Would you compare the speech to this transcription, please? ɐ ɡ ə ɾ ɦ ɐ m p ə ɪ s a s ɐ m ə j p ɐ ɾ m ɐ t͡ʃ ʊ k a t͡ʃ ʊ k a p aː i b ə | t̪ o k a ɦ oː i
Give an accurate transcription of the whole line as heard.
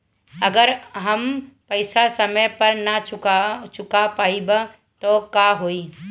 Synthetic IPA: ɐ ɡ ə ɾ ɦ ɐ m p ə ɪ s a s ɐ m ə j p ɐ ɾ n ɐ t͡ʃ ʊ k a t͡ʃ ʊ k a p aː i b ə | t̪ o k a ɦ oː i

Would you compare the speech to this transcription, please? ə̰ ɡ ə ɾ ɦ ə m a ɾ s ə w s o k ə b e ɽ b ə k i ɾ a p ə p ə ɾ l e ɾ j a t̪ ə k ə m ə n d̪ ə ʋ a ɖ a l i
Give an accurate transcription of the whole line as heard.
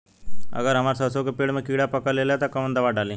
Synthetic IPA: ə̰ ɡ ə ɾ ɦ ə m a ɾ s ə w s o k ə p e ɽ m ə k i ɽ a p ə k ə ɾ l e l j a t̪ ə k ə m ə n d̪ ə ʋ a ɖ a l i

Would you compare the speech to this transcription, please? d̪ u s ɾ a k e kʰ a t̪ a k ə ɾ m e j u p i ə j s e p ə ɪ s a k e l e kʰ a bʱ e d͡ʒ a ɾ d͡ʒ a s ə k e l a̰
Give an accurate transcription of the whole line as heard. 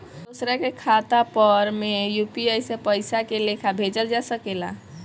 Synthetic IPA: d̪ o s ɾ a k e kʰ a t̪ a p ə ɾ m e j u p i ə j s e p ə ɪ s a k e l e kʰ a bʱ e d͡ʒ ə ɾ d͡ʒ a s ə k e l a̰

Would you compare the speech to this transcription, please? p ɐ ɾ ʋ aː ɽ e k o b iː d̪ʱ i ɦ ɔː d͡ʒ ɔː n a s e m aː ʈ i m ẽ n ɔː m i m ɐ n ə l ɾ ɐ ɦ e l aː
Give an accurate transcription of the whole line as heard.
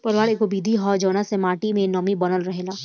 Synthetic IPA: p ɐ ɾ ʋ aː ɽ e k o b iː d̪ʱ i ɦ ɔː d͡ʒ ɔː n a s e m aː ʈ i m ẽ n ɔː m i b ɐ n ə l ɾ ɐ ɦ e l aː

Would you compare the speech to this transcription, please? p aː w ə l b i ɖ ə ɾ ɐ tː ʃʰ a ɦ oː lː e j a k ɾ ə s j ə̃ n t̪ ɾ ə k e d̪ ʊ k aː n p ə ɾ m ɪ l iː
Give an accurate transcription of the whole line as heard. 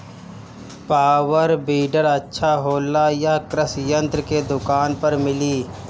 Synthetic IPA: p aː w ə ɾ b iː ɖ ə ɾ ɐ tː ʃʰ a ɦ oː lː a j a k ɾ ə s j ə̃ n t̪ ɾ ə k e d̪ ʊ k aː n p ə ɾ m ɪ l iː

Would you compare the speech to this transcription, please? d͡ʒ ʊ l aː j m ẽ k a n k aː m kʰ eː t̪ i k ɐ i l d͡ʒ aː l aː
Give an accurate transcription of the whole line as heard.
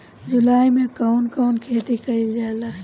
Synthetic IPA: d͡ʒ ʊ l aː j m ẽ k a n k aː n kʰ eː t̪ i k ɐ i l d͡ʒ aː l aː

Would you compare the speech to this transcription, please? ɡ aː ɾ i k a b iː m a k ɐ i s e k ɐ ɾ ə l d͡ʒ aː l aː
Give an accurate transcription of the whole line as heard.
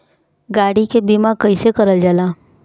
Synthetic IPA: ɡ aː ɽ i k e b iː m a k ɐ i s e k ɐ ɾ ə l d͡ʒ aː l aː

